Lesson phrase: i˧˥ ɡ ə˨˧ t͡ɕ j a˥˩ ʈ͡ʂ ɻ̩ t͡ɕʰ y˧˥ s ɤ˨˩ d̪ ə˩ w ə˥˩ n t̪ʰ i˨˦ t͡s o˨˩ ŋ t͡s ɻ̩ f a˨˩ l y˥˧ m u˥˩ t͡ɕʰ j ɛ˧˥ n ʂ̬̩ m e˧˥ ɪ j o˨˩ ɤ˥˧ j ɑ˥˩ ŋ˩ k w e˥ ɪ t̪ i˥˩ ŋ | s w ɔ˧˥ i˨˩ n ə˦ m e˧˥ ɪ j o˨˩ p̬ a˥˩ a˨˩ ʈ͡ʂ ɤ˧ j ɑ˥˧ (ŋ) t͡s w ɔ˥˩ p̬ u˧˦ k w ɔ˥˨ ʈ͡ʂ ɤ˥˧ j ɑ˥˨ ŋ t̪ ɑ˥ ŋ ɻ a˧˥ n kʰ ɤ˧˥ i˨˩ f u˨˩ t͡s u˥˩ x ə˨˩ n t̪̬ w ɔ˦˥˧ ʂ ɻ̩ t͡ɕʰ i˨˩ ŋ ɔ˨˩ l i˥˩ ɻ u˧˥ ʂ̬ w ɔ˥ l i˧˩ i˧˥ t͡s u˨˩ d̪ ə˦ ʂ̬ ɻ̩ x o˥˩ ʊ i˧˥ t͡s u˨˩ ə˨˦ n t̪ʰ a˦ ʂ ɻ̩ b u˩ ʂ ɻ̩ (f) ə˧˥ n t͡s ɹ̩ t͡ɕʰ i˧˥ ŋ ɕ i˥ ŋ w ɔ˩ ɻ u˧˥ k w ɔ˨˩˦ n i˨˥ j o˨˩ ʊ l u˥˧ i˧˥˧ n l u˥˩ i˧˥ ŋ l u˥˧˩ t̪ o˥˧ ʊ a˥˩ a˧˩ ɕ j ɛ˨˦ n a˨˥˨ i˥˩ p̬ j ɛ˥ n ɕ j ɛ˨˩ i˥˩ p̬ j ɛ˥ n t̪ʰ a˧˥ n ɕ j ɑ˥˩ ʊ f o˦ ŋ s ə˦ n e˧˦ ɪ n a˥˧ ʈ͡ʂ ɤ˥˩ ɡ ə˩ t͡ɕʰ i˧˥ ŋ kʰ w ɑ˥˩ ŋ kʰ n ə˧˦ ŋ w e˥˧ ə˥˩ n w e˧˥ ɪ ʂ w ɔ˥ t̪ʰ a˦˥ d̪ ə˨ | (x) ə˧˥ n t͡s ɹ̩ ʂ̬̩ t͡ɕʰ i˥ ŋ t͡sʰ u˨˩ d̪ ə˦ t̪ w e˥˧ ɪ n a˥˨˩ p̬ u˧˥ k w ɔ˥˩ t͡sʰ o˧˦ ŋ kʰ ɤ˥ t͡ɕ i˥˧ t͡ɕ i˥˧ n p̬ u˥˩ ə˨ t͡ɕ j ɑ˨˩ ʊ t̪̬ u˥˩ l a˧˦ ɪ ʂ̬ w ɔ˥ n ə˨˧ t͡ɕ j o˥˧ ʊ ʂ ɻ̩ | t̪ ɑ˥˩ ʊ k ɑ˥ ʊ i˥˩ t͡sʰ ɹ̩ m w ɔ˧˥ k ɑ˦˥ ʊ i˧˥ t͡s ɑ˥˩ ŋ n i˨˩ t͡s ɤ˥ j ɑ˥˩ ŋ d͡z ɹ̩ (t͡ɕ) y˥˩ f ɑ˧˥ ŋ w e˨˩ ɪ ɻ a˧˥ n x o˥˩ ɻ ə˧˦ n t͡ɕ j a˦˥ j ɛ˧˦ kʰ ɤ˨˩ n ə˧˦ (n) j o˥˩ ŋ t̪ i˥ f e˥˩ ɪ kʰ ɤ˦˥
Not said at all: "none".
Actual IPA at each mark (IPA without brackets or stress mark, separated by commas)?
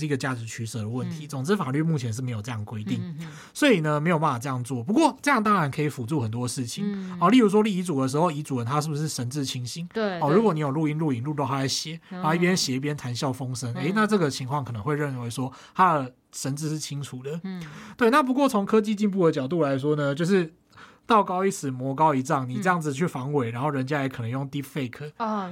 ŋ, ʂ, ʂ, t͡ɕʰ, ŋ